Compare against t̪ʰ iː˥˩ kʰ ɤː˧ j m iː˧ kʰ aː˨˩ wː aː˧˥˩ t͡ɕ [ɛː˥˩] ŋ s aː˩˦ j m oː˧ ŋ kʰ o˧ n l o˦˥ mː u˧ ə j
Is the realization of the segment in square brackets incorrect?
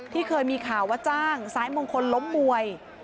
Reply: yes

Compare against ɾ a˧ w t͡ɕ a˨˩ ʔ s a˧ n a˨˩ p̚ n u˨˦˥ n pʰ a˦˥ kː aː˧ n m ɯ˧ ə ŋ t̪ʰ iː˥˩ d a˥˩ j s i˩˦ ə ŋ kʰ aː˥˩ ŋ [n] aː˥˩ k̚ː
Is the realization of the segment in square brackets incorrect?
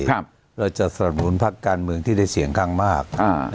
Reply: yes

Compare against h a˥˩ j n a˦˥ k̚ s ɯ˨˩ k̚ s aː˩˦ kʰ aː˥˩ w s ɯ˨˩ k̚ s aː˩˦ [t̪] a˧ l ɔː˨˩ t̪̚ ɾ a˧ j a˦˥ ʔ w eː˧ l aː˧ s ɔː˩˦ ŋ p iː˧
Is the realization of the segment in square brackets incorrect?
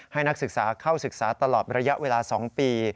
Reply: no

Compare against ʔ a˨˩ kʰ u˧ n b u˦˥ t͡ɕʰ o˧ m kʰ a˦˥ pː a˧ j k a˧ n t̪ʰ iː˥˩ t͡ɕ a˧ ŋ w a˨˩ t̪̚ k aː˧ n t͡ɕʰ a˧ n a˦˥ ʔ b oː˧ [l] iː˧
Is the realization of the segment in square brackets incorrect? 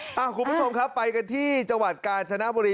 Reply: yes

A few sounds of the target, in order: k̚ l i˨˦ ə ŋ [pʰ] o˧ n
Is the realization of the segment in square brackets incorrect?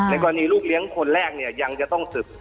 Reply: yes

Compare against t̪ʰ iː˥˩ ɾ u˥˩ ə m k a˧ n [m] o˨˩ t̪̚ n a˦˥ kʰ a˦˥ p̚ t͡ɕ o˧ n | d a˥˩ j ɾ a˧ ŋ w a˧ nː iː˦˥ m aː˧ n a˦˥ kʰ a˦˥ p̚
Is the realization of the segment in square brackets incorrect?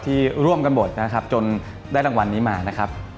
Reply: yes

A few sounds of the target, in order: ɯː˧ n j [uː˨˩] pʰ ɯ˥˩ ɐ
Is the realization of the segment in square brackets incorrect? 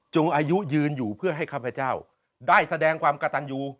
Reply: no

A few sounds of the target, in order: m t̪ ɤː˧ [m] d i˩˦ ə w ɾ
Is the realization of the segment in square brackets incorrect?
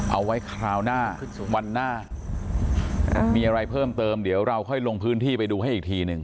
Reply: no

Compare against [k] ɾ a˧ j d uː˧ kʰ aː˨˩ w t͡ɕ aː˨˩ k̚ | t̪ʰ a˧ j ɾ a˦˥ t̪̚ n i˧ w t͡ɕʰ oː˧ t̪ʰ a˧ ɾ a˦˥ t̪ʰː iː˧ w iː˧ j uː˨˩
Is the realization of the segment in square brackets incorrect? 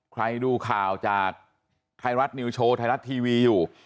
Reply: yes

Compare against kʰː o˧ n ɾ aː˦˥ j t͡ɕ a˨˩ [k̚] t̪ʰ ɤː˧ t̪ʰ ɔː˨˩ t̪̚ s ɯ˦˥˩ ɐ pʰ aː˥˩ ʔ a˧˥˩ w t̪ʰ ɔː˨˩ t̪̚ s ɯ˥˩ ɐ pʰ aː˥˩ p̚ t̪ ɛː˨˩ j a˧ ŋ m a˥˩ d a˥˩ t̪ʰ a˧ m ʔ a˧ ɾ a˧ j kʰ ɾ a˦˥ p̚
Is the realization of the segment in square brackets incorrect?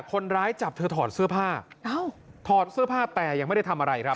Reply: yes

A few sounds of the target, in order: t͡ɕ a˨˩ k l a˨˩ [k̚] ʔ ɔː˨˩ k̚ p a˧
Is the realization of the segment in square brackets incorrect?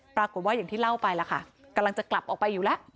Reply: yes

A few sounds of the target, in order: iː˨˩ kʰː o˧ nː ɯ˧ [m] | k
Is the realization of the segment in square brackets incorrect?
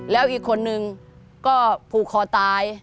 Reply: yes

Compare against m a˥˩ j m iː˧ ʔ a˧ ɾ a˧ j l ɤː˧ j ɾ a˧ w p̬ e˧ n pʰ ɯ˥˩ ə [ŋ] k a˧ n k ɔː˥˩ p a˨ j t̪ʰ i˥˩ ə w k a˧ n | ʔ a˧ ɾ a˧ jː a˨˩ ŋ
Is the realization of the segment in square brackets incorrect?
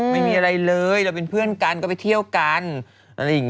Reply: yes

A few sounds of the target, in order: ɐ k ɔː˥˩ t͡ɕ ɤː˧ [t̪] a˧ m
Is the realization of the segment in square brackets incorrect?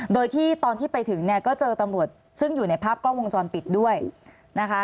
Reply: no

